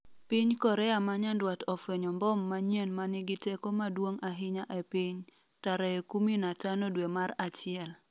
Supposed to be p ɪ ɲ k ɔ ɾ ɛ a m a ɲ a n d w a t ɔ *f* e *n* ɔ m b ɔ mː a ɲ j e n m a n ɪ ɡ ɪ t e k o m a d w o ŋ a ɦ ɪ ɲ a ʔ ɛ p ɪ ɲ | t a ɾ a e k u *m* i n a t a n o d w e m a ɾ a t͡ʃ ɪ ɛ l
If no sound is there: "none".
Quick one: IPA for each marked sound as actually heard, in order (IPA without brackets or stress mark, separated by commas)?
f, ɲ, m